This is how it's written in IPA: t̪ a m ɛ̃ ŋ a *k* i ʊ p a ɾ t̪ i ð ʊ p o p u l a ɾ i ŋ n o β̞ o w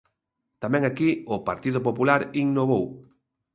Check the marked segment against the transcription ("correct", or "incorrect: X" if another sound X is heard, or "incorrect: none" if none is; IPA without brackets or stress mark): correct